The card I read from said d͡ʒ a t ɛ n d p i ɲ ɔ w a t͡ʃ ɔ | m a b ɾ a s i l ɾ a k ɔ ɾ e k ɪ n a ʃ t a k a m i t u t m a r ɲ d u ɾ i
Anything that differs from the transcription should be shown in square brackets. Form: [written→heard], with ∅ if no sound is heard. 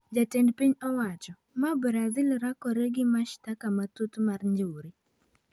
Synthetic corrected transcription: d͡ʒ a t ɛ n d p i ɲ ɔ w a t͡ʃ ɔ | m a b ɾ a [s→z] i l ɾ a k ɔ ɾ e [k→ɡ] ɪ [n→m] a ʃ t a k a m [i→a] t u t m a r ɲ [d→d͡ʒ] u ɾ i